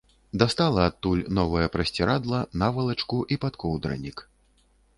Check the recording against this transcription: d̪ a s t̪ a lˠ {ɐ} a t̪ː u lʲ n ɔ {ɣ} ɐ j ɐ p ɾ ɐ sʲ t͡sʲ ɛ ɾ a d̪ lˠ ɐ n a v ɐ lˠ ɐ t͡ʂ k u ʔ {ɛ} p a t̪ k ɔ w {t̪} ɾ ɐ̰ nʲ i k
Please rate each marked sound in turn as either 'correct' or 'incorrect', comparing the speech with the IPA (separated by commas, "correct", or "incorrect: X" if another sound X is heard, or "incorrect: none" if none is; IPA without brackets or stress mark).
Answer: correct, incorrect: v, incorrect: i, incorrect: d̪